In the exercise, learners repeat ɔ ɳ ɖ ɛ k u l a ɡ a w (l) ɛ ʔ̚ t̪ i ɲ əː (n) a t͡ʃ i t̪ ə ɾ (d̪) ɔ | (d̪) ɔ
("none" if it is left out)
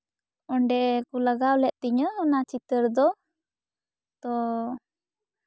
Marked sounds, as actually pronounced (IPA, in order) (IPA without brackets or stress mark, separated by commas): l, n, d̪, t̪